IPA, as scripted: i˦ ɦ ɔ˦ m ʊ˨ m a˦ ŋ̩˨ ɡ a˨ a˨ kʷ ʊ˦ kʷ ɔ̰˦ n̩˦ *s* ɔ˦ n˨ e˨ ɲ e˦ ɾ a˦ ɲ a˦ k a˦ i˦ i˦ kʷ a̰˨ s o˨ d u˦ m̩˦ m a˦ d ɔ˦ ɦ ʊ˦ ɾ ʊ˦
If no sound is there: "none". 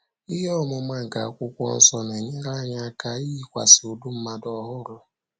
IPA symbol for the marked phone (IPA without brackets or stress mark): s